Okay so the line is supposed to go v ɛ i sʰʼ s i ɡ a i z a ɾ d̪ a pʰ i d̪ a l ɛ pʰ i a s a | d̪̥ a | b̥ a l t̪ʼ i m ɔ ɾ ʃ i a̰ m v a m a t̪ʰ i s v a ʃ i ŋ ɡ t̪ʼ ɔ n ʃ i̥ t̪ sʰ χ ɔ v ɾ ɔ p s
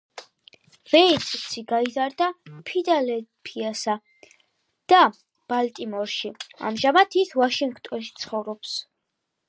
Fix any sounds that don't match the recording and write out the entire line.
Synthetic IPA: v ɛ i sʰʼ s i ɡ a i z a ɾ d̪ a pʰ i d̪ a l ɛ pʰ i a s a | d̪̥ a | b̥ a l t̪ʼ i m ɔ ɾ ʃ i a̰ m ʒ a m a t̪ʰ i s v a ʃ i ŋ ɡ t̪ʼ ɔ n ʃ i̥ t̪ sʰ χ ɔ v ɾ ɔ p s